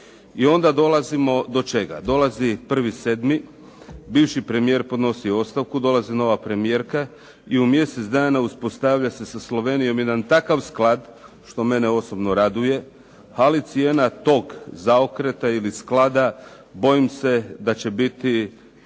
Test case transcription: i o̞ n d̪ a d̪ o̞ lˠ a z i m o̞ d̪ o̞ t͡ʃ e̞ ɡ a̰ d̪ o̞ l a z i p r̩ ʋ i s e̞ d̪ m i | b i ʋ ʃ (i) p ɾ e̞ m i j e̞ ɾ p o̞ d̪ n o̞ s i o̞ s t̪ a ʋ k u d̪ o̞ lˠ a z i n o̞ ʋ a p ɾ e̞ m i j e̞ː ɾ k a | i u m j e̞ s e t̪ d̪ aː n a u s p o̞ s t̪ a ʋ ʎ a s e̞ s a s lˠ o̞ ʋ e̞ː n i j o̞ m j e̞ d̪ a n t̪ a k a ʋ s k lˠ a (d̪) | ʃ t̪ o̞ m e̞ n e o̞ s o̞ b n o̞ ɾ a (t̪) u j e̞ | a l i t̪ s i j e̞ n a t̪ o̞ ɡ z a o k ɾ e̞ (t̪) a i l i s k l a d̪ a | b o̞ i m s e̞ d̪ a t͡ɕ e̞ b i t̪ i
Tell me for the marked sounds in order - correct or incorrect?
correct, correct, incorrect, correct

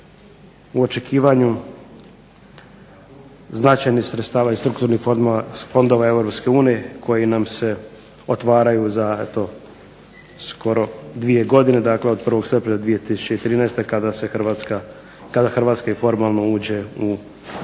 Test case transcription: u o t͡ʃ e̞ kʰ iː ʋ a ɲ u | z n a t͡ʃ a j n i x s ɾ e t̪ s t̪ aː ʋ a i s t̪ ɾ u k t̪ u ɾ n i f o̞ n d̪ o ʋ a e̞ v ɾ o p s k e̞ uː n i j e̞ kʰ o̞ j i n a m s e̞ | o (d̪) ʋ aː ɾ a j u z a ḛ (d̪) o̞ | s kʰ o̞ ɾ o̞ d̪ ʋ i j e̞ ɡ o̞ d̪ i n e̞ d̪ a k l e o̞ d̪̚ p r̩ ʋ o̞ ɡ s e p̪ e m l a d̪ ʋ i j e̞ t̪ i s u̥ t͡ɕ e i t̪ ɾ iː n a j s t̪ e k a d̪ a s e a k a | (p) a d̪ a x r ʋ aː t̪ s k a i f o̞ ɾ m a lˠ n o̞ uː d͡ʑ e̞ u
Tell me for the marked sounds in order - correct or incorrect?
incorrect, incorrect, incorrect

